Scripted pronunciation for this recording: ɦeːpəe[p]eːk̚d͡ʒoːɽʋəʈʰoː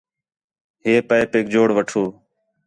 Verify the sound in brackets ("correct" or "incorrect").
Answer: correct